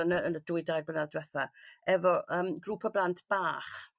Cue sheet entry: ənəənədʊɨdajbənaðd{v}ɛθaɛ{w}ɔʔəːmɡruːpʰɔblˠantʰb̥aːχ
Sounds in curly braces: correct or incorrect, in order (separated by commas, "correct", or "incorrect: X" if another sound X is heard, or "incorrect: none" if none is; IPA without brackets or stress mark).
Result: incorrect: w, incorrect: v